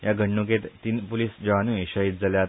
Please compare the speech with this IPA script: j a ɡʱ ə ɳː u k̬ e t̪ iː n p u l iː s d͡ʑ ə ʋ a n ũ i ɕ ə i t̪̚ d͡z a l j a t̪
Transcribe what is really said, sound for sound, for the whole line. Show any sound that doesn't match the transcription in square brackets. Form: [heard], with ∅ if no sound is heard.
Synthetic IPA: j a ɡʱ ə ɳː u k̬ e t̪ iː n p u l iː s d͡ʑ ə ʋ a n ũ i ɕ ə i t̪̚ d͡z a l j a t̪